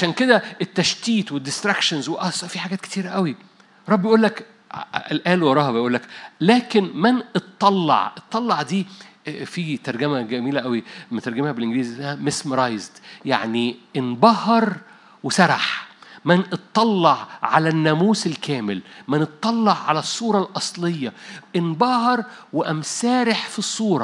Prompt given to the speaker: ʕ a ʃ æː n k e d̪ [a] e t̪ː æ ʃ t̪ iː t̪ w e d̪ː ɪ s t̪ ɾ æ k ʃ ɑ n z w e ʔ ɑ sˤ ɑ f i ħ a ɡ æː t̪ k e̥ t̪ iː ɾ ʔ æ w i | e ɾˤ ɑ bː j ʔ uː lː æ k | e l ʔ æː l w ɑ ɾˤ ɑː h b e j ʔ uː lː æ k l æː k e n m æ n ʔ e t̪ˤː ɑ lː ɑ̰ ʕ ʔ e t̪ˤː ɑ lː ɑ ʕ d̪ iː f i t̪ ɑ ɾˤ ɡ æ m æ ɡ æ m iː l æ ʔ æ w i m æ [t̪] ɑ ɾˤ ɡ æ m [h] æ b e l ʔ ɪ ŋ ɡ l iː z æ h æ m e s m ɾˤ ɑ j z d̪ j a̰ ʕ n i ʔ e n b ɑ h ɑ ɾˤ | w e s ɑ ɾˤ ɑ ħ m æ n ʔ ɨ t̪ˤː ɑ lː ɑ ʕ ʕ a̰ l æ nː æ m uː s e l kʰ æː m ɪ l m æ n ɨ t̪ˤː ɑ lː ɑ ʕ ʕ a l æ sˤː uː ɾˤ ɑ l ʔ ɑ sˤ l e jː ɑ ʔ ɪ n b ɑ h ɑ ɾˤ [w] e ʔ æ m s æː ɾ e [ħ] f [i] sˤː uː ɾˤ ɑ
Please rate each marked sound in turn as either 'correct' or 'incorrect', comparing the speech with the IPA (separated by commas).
incorrect, correct, correct, correct, correct, correct